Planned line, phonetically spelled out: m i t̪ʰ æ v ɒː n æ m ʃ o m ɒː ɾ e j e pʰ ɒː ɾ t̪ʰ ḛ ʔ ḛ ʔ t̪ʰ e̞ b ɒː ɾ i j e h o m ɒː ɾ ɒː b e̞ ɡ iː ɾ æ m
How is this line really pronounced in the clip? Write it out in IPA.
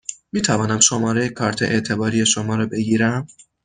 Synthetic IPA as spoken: m iː t̪ʰ æ v ɒː n æ m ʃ o m ɒː ɾ e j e kʰ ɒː ɾ t̪ʰ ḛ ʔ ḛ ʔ t̪ʰ e̞ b ɒː ɾ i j e ʃ o m ɒː ɾ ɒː b e̞ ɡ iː ɾ æ m

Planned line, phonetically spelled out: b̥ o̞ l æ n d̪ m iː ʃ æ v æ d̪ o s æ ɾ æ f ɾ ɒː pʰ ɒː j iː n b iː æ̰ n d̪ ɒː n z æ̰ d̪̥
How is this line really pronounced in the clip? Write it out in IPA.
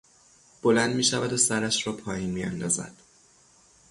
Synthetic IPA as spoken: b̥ o̞ l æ n d̪ m iː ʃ æ v æ d̪ o s æ ɾ æ ʃ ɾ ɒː pʰ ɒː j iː n m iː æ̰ n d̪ ɒː z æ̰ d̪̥

